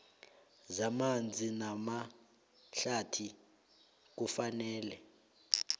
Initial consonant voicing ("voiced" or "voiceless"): voiced